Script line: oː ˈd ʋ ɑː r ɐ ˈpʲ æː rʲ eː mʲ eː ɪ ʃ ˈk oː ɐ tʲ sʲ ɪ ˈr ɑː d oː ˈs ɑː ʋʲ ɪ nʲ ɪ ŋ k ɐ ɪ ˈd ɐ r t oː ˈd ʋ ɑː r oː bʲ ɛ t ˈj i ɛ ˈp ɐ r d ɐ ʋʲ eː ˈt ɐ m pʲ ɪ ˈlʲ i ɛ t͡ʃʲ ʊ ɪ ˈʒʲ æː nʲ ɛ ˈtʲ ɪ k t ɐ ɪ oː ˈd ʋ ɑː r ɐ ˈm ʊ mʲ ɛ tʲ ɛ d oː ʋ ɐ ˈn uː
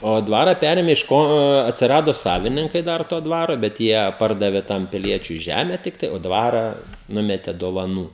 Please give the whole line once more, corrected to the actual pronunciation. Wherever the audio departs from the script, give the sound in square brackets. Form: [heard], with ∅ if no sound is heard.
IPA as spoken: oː ˈd ʋ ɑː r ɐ ˈpʲ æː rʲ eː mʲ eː ɪ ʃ ˈk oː ɐ tʲ sʲ ɪ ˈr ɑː d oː ˈs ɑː ʋʲ ɪ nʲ ɪ ŋ k ɐ ɪ ˈd ɐ r t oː ˈd ʋ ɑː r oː bʲ ɛ t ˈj i ɛ ˈp ɐ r d ɐ ʋʲ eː ˈt ɐ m pʲ ɪ ˈlʲ i ɛ t͡ʃʲ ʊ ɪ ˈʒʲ æː [mʲ] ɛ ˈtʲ ɪ k t ɐ ɪ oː ˈd ʋ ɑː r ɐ [ˈn] ʊ mʲ ɛ tʲ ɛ d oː ʋ ɐ ˈn uː